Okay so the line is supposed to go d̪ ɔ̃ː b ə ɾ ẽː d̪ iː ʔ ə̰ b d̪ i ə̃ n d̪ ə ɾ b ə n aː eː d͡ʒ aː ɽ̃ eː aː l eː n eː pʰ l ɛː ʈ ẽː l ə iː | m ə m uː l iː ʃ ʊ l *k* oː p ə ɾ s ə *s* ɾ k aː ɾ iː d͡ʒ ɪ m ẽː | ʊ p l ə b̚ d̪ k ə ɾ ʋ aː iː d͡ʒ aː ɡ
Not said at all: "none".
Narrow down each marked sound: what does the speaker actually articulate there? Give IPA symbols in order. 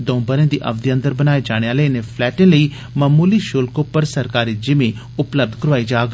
k, none

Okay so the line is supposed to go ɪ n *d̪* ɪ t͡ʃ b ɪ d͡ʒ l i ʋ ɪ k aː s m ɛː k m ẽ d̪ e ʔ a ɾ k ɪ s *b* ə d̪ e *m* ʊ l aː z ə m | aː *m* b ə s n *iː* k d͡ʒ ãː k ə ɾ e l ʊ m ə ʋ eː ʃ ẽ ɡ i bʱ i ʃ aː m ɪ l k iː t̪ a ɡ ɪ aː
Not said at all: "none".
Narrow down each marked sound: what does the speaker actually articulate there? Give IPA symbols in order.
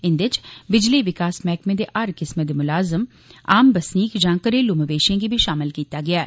d̪, m, m, m, iː

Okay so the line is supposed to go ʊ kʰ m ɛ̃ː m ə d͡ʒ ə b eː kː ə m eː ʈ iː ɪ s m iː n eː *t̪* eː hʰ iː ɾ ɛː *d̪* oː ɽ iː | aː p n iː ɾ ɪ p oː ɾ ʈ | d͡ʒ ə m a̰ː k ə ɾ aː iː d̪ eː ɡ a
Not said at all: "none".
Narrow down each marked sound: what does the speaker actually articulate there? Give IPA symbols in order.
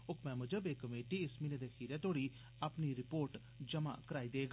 d̪, t̪

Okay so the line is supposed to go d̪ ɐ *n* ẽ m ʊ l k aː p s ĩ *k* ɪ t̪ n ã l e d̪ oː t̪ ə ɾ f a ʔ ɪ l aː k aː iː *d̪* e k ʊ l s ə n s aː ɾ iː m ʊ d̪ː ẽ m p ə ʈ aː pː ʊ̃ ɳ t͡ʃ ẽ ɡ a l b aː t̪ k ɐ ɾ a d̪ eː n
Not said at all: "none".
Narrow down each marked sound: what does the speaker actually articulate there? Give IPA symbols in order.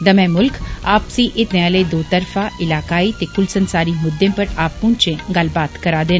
m, ʔ, t̪

